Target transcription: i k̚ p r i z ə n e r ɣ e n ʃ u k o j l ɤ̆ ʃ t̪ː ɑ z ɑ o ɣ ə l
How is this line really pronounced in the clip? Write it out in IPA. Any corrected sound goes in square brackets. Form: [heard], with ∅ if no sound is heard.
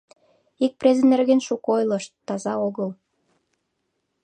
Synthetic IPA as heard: i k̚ p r [e] z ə n e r ɣ e n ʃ u k o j l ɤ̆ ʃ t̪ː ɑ z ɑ o ɣ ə l